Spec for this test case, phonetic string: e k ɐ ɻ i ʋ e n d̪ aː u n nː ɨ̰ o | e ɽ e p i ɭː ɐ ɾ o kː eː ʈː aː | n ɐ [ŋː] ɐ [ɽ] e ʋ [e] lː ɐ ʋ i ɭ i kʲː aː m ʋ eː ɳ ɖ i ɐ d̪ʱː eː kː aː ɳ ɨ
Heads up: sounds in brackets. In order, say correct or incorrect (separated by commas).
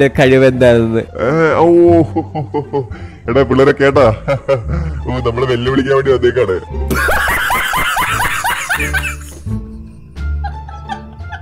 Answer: incorrect, incorrect, correct